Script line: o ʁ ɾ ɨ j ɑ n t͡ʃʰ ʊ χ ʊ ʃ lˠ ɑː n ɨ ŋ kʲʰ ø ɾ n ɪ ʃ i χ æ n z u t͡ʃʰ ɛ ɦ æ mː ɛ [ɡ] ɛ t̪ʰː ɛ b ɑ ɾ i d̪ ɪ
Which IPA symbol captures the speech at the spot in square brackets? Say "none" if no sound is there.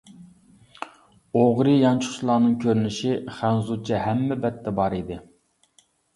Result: b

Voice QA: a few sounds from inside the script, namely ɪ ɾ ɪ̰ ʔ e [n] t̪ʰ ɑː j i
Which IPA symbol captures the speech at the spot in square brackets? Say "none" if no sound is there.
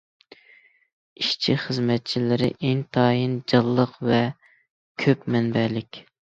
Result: ŋ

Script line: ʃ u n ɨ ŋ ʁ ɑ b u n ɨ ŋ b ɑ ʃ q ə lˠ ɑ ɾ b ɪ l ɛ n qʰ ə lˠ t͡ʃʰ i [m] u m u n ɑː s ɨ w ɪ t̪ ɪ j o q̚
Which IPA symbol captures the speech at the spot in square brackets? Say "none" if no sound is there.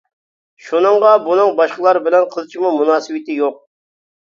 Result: m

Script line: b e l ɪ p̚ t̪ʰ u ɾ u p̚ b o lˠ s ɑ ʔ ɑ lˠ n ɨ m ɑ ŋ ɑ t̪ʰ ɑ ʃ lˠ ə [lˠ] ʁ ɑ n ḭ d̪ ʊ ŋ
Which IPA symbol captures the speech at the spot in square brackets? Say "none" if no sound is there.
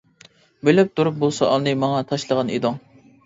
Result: none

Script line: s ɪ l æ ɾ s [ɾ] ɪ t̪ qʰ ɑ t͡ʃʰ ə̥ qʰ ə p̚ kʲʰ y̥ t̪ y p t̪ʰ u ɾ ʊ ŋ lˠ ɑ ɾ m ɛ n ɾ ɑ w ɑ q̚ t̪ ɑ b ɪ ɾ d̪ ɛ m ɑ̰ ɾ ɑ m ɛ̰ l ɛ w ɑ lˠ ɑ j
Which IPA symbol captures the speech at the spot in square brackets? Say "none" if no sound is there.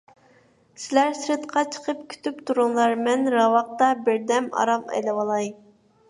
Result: ɾ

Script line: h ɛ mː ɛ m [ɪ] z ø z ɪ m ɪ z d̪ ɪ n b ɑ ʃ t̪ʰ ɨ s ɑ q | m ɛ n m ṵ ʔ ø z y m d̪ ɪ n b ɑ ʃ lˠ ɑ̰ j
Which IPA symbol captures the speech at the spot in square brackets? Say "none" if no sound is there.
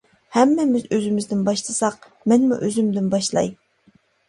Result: ɪ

